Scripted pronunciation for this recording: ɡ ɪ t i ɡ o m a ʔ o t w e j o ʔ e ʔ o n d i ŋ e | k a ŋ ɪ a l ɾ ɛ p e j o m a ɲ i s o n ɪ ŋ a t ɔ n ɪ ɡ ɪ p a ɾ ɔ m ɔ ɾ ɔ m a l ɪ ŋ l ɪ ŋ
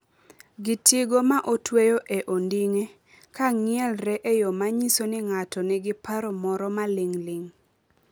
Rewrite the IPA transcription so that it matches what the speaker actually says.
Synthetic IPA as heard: ɡ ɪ t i ɡ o m a ʔ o t w e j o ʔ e ʔ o n d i ŋ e | k a ŋ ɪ ɛ l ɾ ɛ ʔ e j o m a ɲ i s o n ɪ ŋ a t ɔ n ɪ ɡ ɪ p a ɾ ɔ m ɔ ɾ ɔ m a l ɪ ŋ l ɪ ŋ